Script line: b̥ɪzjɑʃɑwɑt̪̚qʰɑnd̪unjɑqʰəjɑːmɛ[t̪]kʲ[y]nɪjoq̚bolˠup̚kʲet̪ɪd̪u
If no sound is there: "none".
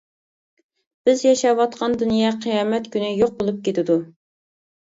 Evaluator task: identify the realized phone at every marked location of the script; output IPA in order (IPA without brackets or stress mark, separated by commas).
t̪, y